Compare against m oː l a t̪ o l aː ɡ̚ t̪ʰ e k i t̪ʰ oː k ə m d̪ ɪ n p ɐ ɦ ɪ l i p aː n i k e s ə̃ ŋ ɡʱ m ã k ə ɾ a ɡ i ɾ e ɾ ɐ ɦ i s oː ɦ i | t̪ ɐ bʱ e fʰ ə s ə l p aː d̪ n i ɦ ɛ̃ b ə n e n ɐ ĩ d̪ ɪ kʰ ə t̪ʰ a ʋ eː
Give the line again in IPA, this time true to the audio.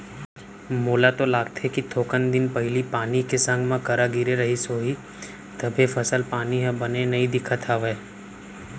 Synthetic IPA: m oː l a t̪ o l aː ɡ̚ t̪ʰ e k i t̪ʰ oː k ə n d̪ ɪ n p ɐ ɦ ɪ l i p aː n i k e s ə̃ ŋ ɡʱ m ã k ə ɾ a ɡ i ɾ e ɾ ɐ ɦ i s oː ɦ i | t̪ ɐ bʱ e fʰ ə s ə l p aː n i ɦ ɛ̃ b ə n e n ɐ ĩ d̪ ɪ kʰ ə t̪ʰ a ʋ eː